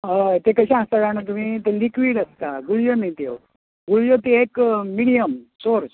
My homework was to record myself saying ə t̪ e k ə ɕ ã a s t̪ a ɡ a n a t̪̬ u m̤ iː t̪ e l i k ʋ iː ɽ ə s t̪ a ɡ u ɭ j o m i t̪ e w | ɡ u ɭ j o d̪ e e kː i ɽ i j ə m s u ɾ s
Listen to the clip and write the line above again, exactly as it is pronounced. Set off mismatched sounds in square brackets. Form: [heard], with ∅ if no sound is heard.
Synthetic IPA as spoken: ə t̪ e k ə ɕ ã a s t̪ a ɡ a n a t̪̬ u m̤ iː t̪ e l i k ʋ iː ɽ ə s t̪ a ɡ u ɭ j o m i t̪ e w | ɡ u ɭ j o [t̪] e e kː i ɽ i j ə m s [o] ɾ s